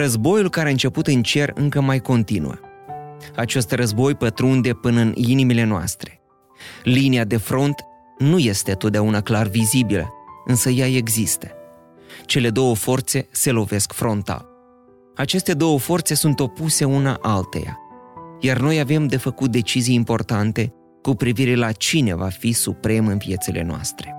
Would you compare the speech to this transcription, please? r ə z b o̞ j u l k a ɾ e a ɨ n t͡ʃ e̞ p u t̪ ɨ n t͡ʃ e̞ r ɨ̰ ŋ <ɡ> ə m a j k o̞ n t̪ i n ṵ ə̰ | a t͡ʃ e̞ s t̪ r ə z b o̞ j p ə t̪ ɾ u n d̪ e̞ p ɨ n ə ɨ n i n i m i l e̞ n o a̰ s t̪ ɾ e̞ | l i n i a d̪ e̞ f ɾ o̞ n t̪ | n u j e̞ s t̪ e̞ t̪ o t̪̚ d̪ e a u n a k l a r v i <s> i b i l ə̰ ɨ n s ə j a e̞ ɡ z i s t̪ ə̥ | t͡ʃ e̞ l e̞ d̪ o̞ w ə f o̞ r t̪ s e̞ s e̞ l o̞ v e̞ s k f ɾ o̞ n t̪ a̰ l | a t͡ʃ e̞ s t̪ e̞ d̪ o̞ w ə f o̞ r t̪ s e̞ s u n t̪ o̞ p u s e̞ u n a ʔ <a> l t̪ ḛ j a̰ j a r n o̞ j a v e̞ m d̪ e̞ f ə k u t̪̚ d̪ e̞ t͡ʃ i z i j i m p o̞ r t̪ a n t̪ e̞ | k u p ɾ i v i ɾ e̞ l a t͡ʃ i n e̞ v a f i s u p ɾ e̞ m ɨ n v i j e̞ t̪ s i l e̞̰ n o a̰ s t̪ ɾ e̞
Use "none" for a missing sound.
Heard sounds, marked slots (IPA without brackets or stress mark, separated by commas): k, z, a